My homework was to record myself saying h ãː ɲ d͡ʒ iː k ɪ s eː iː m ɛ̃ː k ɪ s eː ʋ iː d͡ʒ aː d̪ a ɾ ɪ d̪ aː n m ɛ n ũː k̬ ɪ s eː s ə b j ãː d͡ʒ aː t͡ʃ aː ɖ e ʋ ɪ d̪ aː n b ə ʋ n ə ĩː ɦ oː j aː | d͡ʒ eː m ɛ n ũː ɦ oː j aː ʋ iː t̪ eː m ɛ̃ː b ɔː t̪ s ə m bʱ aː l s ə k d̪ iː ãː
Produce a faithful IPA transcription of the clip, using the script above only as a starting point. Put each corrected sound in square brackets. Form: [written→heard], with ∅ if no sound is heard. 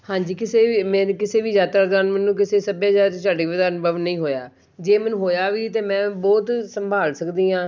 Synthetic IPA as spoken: h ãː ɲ d͡ʒ iː k ɪ s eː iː m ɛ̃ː k ɪ s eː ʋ iː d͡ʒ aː [d̪→t̪] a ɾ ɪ d̪ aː n m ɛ n ũː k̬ ɪ s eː s ə b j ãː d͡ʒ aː t͡ʃ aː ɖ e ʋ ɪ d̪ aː n b ə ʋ n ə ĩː ɦ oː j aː | d͡ʒ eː m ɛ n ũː ɦ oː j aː ʋ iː t̪ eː m ɛ̃ː b ɔː t̪ s ə m bʱ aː l s ə k d̪ iː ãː